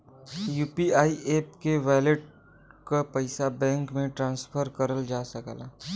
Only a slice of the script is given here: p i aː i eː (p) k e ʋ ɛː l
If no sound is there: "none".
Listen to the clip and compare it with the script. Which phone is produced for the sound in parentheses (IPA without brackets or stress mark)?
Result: p